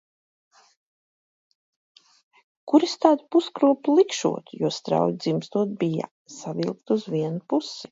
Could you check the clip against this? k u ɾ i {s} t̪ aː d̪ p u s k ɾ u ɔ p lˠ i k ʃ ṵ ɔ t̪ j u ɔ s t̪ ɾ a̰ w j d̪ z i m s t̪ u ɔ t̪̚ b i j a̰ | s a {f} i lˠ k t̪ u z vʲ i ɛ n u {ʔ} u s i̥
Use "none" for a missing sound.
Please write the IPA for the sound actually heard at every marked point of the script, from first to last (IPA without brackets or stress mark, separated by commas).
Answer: s, v, p